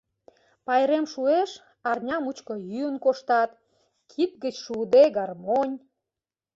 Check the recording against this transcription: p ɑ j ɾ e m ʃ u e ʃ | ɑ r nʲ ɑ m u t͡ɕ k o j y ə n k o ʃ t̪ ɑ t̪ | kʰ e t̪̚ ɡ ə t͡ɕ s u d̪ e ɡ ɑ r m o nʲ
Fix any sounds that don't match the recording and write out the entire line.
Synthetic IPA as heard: p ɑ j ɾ e m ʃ u e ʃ | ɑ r nʲ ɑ m u t͡ɕ k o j y ə n k o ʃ t̪ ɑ t̪ | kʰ i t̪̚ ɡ ə t͡ɕ ʃ u d̪ e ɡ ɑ r m o nʲ